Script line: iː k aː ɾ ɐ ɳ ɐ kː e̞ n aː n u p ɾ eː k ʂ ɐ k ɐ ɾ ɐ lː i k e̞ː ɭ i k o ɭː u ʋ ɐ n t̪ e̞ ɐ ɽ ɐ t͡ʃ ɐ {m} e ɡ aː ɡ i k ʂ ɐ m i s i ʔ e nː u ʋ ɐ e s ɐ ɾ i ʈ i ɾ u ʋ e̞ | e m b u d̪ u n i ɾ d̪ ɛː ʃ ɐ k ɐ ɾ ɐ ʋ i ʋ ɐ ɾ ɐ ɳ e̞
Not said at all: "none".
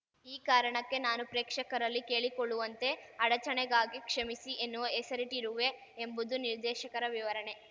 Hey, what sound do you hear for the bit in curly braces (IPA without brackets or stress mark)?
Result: ɳ